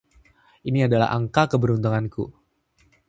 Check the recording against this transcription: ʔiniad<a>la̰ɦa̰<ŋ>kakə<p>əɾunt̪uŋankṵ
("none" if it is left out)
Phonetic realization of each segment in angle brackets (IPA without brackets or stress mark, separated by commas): a, ŋ, b